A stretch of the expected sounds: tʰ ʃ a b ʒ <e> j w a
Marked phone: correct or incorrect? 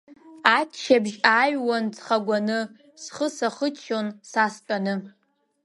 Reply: incorrect